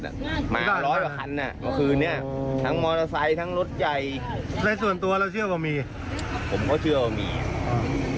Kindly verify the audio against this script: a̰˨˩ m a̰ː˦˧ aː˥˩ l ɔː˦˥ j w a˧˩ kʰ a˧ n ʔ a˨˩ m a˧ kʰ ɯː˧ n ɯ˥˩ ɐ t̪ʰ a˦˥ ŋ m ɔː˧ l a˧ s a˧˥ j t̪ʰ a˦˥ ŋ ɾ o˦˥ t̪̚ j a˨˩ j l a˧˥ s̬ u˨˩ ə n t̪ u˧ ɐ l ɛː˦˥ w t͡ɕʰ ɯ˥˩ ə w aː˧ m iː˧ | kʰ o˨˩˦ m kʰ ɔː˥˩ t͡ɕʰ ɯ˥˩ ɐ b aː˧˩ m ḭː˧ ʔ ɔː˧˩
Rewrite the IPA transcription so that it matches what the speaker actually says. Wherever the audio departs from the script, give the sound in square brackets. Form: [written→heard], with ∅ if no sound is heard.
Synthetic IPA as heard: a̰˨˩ m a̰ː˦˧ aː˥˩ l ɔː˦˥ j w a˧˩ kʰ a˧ n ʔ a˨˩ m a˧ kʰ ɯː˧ n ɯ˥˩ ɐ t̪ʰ a˦˥ ŋ m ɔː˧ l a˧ s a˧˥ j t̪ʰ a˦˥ ŋ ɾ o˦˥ t̪̚ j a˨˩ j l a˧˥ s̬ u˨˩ ə n t̪ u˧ ɐ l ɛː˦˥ w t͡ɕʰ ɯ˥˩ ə w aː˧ m iː˧ | [kʰ→pʰ] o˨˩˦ m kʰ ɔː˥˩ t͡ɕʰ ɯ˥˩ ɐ [b→w] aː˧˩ m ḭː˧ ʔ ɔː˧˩